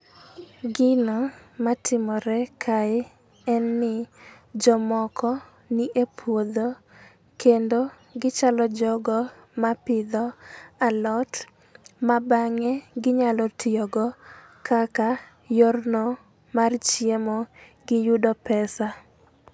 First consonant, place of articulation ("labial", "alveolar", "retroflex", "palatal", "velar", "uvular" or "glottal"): velar